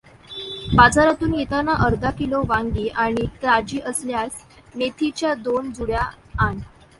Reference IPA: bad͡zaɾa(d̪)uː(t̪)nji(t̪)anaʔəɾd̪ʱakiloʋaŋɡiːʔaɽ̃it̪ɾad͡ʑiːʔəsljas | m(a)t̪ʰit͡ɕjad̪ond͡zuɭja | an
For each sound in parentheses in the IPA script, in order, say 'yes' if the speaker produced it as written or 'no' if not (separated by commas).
no, no, yes, no